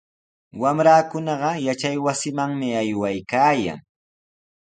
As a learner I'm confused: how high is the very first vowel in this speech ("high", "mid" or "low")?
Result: low